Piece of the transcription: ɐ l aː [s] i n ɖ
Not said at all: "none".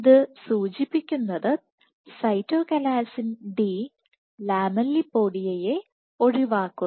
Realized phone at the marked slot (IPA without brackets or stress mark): s